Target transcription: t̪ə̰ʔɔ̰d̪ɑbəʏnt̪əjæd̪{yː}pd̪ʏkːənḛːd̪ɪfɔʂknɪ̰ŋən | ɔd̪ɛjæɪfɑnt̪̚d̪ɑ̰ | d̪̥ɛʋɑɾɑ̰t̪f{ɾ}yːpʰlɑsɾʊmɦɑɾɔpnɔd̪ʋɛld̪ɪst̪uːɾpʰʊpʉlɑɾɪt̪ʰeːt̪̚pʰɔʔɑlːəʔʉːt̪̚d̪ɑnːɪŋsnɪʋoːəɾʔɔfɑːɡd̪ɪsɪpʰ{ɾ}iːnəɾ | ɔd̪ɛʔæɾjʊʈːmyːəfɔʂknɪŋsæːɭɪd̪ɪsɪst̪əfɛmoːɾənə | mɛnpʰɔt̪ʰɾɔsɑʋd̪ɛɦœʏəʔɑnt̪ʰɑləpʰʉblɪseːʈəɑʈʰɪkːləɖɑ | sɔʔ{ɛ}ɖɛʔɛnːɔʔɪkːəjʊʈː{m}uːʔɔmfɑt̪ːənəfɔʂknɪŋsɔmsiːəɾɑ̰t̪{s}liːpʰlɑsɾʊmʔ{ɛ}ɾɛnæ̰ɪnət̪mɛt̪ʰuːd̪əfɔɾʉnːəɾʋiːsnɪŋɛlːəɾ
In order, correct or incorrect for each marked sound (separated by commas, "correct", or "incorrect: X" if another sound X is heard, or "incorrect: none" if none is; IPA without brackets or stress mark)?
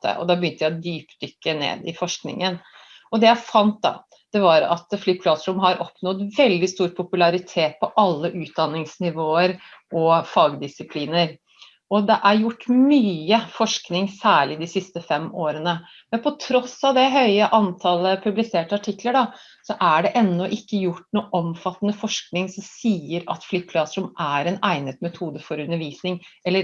correct, incorrect: l, incorrect: l, incorrect: æ, incorrect: n, incorrect: f, incorrect: æ